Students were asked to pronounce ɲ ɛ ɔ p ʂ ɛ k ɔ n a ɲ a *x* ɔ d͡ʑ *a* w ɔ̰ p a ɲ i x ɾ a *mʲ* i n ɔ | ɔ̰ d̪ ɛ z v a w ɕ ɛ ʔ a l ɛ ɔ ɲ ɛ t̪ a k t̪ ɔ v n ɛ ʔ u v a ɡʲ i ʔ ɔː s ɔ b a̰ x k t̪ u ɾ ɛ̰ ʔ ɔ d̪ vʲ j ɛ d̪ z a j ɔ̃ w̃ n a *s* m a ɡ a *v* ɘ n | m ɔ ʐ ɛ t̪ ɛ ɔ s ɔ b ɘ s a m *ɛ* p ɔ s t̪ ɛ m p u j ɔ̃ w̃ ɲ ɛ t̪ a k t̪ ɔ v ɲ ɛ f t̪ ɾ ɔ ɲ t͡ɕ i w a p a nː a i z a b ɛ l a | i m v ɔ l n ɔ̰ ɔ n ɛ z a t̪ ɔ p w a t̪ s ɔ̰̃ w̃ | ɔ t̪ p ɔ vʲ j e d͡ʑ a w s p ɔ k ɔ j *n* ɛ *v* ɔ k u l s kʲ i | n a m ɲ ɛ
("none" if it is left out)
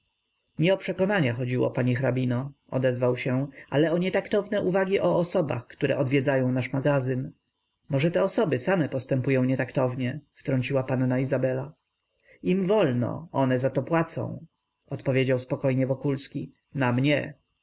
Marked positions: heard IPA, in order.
x, i, bʲ, ʂ, z, ɛ, ɲ, v

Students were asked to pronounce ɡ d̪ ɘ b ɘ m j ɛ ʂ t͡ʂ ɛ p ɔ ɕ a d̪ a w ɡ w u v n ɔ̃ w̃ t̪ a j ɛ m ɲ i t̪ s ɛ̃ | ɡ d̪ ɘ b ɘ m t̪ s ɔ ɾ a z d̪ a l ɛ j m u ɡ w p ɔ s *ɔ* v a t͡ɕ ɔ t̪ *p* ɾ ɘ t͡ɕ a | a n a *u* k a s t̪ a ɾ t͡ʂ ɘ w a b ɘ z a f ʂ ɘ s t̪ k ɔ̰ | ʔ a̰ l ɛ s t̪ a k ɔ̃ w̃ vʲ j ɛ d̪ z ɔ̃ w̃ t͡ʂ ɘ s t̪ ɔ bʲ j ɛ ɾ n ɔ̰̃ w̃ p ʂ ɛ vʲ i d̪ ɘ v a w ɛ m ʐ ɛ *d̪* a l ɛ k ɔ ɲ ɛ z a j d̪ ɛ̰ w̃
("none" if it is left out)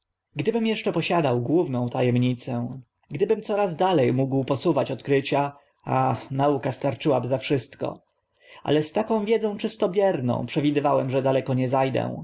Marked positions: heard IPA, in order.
u, k, u, d̪

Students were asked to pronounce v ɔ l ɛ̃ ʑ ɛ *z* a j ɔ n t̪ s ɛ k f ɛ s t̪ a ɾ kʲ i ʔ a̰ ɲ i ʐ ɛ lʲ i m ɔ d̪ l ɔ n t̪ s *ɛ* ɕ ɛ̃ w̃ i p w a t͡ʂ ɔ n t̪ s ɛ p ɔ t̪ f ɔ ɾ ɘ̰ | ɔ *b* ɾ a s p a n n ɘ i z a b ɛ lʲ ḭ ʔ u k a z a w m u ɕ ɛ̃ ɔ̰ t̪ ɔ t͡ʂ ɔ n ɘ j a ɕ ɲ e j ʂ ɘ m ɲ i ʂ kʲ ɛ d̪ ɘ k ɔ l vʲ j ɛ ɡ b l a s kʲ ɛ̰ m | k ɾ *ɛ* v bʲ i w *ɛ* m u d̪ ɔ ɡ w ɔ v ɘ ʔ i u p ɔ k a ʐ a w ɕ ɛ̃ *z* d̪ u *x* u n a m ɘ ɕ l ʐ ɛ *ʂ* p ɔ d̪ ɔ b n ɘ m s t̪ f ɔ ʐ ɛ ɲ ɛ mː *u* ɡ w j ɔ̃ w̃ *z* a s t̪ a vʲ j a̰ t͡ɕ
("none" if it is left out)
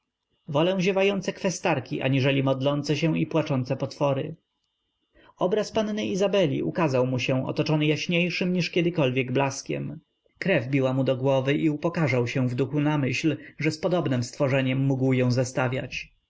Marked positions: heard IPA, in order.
v, ɛ, b, ɛ, a, v, x, s, u, z

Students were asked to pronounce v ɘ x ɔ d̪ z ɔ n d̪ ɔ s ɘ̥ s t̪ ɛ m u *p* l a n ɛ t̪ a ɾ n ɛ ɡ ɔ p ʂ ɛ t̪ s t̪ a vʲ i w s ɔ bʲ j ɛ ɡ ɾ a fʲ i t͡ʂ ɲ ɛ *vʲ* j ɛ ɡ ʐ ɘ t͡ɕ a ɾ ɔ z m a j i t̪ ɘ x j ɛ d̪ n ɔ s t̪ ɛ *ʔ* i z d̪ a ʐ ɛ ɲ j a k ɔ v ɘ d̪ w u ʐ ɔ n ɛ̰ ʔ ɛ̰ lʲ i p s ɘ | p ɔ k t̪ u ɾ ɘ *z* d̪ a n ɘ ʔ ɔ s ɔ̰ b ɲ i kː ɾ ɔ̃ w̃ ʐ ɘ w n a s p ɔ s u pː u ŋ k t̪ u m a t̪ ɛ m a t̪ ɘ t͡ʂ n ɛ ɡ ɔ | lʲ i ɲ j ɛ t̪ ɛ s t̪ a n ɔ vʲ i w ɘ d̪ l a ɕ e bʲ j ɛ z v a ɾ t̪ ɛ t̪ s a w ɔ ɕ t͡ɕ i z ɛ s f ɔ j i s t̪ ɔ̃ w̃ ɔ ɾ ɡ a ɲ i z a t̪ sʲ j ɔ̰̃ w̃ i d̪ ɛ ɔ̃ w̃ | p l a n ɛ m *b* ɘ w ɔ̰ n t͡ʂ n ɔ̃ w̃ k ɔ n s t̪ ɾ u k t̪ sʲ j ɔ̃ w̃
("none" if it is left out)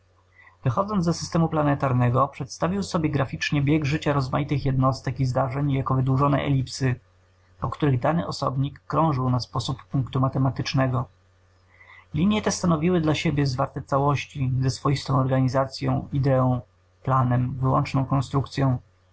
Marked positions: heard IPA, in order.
p, bʲ, k, ɣ, v

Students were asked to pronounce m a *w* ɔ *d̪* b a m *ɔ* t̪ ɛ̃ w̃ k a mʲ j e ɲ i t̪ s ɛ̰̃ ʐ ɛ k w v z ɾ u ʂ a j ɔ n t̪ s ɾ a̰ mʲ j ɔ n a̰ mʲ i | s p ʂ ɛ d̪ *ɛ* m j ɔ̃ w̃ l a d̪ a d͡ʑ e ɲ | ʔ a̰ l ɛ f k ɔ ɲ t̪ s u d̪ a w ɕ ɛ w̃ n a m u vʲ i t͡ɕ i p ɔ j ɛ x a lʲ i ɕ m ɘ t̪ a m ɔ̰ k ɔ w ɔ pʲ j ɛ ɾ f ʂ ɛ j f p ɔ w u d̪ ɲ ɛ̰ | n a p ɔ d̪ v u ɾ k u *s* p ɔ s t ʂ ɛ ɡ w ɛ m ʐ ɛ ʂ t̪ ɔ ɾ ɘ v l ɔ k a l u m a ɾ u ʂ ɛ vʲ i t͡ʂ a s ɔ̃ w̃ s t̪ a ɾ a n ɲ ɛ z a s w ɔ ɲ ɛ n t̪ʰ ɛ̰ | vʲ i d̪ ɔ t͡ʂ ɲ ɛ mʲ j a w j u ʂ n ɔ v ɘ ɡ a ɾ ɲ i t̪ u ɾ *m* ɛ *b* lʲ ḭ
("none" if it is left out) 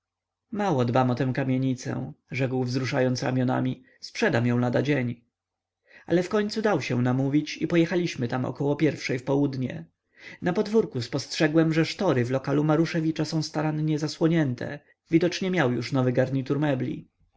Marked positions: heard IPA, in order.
w, d̪, ɔ, a, s, m, b

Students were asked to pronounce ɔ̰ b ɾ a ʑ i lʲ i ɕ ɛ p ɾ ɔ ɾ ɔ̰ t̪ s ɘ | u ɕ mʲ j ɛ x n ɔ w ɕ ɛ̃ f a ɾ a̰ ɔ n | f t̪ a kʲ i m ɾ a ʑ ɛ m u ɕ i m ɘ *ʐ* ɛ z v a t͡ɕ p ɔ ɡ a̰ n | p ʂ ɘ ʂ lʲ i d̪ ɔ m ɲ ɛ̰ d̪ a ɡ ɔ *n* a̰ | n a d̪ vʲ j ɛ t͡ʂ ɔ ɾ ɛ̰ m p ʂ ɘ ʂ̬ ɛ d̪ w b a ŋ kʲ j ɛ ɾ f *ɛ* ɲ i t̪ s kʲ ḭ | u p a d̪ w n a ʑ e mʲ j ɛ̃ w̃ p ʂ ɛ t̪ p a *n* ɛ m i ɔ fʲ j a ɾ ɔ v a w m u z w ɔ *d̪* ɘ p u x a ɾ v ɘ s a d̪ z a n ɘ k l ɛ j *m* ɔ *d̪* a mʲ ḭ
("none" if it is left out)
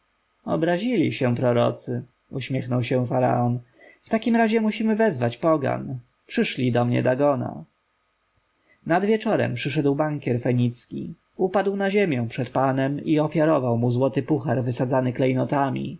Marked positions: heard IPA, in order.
v, n, ɛ, n, t̪, n, t̪

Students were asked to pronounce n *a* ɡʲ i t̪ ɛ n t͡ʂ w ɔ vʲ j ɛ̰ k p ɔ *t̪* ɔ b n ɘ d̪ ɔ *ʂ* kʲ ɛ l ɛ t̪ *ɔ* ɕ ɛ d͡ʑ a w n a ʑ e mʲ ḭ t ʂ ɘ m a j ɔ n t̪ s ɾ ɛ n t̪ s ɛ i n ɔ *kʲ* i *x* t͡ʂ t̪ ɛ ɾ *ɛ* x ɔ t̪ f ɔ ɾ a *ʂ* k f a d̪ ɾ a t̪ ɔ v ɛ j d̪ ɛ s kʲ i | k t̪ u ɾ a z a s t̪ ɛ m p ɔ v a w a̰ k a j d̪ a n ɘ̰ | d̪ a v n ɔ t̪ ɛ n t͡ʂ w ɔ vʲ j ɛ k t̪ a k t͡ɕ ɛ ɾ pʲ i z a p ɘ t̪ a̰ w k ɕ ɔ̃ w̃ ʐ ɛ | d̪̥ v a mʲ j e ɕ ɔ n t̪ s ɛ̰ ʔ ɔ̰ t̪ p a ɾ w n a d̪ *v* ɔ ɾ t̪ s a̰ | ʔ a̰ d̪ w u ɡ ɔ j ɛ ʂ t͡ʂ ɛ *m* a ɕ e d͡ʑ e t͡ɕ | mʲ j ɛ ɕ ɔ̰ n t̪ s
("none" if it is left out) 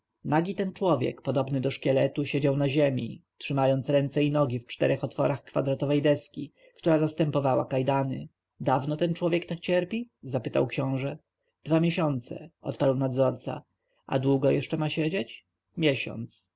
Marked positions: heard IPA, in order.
a, d̪, ʂ, u, ɡʲ, f, ɛ, x, z, m

